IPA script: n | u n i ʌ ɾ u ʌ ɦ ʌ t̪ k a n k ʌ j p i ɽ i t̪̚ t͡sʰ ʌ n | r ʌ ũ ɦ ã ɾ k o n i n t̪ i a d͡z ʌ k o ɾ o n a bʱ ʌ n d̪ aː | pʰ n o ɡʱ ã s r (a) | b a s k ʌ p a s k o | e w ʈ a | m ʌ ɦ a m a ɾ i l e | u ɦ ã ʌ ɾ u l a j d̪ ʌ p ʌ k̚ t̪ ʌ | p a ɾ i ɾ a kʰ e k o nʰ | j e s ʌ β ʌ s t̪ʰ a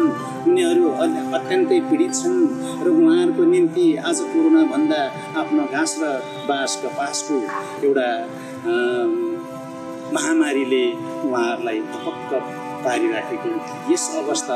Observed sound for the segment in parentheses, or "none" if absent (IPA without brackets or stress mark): ʌ